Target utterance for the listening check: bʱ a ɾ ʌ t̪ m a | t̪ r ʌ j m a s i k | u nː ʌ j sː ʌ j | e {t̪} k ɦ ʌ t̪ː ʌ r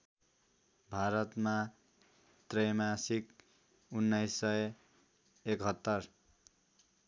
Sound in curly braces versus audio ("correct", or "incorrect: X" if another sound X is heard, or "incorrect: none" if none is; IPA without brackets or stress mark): incorrect: none